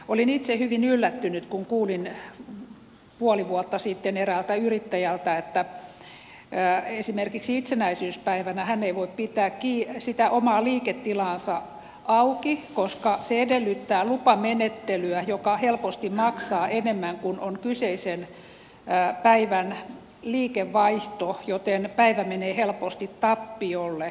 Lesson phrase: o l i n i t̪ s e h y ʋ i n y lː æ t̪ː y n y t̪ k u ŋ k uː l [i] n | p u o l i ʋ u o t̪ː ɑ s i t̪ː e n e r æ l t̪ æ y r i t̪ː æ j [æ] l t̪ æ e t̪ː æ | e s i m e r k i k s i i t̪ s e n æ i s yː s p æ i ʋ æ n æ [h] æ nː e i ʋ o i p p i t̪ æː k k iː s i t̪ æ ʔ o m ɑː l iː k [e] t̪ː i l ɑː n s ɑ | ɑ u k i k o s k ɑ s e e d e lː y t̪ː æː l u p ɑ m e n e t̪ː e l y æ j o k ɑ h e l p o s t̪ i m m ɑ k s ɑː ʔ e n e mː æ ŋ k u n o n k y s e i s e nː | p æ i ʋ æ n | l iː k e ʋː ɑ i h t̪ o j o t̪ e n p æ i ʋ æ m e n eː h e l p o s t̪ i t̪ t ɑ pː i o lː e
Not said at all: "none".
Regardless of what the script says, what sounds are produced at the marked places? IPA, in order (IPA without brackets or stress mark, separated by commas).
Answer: i, æ, h, e